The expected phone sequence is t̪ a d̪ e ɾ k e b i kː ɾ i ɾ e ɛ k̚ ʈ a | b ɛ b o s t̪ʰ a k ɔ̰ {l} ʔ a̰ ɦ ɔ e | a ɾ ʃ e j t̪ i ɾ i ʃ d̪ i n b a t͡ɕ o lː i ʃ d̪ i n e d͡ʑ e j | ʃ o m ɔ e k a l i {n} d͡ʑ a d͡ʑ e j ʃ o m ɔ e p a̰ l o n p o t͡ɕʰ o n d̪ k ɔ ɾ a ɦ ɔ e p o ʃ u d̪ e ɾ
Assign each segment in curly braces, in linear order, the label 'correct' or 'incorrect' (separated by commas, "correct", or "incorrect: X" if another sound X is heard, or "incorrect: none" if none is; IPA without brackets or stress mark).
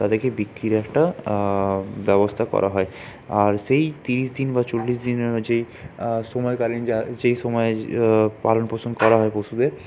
incorrect: ɾ, correct